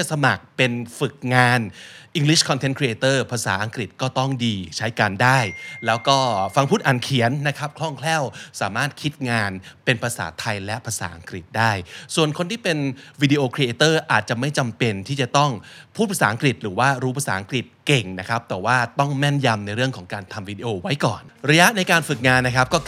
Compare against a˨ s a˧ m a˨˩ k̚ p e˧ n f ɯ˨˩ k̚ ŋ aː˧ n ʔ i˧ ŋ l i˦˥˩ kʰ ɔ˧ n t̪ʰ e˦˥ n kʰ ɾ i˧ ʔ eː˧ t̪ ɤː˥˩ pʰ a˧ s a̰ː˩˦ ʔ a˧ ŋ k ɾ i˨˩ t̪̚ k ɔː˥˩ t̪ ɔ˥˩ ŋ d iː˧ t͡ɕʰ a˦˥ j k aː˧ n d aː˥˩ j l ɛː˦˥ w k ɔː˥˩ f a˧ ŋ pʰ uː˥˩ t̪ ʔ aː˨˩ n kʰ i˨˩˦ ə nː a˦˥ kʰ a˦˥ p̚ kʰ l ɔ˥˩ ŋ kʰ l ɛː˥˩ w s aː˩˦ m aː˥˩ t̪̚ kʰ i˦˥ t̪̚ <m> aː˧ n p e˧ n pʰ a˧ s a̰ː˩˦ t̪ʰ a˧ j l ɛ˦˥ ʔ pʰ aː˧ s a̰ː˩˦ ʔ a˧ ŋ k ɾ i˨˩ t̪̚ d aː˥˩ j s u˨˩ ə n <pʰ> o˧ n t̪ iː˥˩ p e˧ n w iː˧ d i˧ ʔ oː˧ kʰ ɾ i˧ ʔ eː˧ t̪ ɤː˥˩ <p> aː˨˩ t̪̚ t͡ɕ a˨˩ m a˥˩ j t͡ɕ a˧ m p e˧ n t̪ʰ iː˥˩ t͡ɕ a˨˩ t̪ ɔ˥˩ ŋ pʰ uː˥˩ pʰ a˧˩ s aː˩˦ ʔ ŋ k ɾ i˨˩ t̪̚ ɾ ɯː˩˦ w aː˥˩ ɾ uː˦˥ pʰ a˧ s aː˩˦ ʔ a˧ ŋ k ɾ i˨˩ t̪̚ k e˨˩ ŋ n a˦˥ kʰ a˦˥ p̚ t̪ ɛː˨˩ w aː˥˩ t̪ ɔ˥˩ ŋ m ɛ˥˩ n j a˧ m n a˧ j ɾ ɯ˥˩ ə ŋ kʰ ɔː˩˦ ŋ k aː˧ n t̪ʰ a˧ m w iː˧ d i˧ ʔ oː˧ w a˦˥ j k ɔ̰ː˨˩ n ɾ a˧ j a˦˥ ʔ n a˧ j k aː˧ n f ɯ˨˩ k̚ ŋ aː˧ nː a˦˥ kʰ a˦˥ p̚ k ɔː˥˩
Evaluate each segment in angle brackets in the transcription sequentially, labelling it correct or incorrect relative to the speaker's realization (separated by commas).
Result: incorrect, incorrect, incorrect